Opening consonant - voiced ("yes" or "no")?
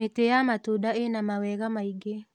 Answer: no